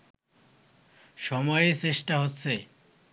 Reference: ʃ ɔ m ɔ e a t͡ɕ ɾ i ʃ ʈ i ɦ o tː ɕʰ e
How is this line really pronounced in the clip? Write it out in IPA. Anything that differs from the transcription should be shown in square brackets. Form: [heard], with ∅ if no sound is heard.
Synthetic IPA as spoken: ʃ ɔ m ɔ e [e] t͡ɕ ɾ [e] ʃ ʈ [a] ɦ o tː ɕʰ e

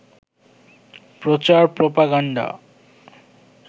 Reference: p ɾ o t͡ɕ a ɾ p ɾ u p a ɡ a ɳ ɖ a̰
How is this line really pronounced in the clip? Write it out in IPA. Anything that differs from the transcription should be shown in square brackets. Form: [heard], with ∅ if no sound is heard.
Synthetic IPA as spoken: p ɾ o t͡ɕ a ɾ p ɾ [o] p a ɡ a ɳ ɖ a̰

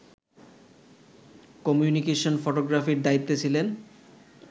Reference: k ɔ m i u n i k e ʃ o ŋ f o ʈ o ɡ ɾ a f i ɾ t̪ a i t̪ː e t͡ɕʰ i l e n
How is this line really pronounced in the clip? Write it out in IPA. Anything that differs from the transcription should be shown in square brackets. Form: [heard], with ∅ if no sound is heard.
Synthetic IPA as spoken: k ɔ m [j] u n i k e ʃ o [n] f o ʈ o ɡ ɾ a f i ɾ [d̪] a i t̪ː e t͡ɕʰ i l e n

